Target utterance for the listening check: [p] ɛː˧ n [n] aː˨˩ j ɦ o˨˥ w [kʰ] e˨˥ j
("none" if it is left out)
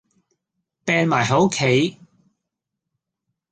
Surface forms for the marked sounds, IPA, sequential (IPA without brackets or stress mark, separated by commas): p, m, kʰ